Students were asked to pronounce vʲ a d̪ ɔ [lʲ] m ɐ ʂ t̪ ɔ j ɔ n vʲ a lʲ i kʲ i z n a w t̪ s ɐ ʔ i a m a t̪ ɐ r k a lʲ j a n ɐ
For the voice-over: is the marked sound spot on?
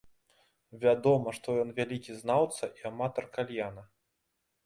no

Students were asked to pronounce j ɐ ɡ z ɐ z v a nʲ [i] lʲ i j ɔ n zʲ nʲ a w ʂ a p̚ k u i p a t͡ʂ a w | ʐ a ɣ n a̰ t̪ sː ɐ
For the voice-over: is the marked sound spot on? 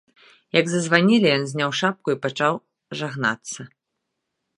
yes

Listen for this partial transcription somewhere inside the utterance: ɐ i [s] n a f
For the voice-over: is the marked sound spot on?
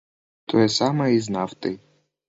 no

